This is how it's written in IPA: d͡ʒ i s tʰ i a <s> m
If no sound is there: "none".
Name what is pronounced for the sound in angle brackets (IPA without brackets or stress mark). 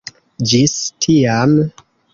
none